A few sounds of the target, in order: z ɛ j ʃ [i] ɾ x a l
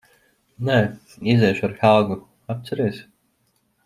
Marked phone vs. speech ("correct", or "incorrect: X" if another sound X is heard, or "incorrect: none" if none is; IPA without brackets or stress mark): incorrect: a